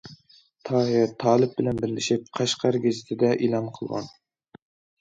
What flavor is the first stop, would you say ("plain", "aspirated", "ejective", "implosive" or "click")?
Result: aspirated